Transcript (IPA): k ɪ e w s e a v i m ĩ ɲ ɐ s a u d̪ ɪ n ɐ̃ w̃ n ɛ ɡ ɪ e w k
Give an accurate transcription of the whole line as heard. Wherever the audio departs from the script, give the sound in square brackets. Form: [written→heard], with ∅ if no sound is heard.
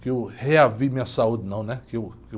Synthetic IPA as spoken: k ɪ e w [s→h] e a v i m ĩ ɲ ɐ s a u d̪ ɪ n ɐ̃ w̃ n ɛ [ɡ→k] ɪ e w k